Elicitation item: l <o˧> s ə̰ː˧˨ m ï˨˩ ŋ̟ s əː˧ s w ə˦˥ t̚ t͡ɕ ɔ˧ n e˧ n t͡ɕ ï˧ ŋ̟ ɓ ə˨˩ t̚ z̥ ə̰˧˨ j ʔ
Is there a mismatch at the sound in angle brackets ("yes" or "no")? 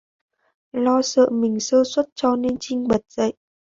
yes